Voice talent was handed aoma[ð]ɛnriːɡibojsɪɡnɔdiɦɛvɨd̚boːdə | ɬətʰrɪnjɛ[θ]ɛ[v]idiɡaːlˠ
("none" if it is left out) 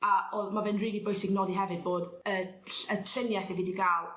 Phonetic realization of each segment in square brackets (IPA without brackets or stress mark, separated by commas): v, θ, v